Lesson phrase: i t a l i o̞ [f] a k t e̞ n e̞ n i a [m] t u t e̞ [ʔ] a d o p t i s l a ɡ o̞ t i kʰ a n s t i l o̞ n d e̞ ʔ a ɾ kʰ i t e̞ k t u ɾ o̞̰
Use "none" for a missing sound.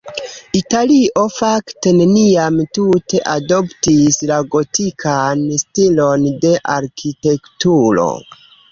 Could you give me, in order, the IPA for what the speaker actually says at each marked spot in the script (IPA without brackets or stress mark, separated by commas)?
f, m, ʔ